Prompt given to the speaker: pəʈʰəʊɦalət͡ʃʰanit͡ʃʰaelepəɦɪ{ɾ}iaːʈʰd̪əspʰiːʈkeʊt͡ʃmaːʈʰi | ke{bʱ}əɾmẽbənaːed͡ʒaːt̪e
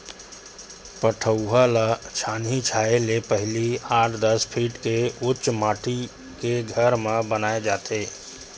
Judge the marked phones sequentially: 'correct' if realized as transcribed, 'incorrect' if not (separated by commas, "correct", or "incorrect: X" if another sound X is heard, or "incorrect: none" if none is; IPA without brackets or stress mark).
incorrect: l, incorrect: ɡʱ